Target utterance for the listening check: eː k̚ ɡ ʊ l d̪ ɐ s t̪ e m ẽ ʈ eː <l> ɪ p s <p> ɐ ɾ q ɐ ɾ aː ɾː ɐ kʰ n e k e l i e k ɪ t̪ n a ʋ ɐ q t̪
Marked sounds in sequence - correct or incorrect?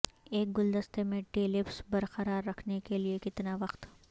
correct, incorrect: b

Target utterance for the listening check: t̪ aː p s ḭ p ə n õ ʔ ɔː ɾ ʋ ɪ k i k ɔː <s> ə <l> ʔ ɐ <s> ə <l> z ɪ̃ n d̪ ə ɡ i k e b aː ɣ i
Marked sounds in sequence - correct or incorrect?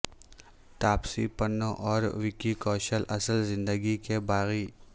incorrect: ʃ, correct, correct, correct

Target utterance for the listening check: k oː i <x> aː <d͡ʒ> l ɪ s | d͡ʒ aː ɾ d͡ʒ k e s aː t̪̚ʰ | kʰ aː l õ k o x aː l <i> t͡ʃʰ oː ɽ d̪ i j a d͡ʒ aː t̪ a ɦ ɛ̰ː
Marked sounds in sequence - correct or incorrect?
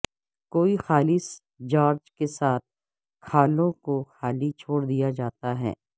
correct, incorrect: none, correct

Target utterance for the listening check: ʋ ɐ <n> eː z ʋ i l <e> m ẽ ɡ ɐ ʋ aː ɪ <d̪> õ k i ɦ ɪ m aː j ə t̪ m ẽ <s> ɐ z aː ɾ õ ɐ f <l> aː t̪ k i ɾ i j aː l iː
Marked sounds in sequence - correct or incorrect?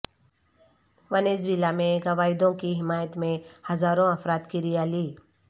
correct, incorrect: a, correct, incorrect: h, incorrect: ɾ

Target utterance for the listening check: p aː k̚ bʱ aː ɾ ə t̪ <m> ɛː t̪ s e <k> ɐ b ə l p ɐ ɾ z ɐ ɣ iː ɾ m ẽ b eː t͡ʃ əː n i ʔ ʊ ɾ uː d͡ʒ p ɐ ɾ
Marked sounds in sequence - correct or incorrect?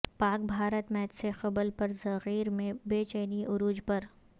correct, incorrect: x

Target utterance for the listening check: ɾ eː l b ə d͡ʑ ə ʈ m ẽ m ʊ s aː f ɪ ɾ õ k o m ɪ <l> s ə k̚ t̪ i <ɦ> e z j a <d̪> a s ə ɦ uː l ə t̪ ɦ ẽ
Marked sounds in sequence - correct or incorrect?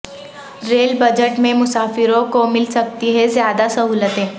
correct, correct, correct

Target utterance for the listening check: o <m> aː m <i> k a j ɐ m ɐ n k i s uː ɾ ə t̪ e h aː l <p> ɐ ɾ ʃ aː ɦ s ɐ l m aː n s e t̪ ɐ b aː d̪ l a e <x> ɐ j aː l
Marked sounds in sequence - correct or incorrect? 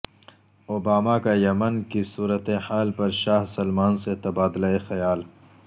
incorrect: b, incorrect: a, correct, correct

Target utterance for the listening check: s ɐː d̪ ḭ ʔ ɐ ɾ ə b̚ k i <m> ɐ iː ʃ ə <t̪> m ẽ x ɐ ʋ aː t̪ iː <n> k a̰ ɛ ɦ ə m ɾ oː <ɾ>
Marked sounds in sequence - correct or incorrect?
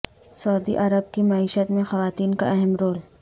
correct, correct, correct, incorrect: l

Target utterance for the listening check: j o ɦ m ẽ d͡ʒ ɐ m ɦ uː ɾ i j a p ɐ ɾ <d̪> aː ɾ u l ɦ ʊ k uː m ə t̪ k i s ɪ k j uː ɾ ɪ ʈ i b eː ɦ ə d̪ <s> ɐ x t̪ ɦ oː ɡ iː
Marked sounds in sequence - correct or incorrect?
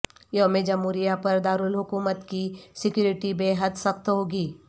correct, correct

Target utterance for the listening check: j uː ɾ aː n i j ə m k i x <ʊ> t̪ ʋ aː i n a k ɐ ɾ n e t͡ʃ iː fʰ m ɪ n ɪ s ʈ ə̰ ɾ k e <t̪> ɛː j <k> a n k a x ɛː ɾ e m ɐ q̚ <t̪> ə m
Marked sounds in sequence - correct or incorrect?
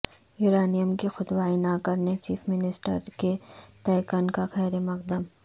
correct, correct, correct, incorrect: d̪

